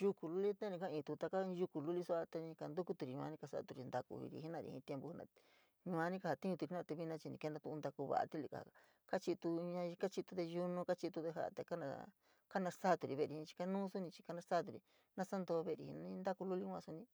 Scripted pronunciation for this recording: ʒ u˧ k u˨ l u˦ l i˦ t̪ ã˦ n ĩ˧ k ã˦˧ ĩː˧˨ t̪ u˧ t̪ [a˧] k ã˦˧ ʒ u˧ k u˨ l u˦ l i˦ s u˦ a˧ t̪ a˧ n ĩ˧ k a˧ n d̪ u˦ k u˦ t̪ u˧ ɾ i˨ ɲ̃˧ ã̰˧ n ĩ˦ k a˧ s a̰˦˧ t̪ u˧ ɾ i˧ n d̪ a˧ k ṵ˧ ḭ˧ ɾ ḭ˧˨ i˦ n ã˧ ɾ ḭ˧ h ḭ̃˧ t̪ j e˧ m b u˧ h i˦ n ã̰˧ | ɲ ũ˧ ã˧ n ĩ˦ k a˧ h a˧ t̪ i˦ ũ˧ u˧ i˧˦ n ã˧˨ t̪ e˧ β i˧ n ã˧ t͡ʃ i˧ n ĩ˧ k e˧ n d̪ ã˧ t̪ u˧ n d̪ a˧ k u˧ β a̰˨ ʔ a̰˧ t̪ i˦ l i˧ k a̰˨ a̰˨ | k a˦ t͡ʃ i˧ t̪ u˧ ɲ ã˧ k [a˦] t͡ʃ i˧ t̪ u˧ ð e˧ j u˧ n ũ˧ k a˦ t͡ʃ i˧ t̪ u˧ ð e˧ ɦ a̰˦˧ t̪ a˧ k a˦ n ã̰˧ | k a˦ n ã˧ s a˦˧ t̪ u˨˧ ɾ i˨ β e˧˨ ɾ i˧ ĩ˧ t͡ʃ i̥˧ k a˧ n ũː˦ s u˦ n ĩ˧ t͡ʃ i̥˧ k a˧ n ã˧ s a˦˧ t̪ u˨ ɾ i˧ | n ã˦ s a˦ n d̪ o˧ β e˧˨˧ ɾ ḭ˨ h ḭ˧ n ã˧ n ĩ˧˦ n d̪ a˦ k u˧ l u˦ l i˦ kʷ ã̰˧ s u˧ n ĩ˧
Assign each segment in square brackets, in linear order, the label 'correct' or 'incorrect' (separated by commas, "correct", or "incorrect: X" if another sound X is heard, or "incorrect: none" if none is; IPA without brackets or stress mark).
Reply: correct, correct